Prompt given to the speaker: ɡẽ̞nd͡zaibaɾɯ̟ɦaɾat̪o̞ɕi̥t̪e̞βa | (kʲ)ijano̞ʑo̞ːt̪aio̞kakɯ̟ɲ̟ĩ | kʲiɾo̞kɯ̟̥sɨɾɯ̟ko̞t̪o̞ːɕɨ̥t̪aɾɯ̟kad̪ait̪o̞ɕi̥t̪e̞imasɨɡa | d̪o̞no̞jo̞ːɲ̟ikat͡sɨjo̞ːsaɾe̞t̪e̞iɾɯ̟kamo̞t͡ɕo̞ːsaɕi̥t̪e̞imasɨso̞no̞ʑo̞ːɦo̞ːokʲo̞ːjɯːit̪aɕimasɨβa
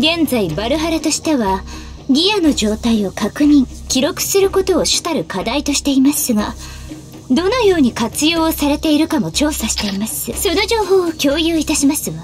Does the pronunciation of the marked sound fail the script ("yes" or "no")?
yes